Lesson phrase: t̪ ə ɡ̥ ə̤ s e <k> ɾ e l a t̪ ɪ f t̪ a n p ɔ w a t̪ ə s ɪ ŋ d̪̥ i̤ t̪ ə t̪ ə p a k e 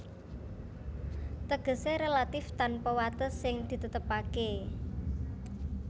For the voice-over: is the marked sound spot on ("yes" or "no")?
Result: no